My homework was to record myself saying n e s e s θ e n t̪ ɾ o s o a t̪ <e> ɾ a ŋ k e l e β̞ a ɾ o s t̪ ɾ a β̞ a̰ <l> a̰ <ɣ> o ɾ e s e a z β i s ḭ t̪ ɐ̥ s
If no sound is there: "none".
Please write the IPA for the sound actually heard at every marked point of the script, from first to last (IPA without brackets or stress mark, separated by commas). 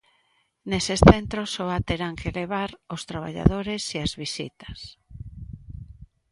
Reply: e, ʎ, ð